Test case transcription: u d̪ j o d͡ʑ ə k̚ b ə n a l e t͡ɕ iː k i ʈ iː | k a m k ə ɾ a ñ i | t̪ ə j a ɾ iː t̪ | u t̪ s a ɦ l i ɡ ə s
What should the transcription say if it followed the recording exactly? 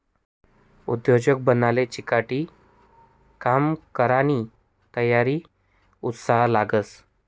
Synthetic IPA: u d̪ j o d͡ʑ ə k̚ b ə n a l e t͡ɕ i k a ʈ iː | k a m k ə ɾ a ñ i | t̪ ə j a ɾ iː | u t̪ s a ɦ l a ɡ ə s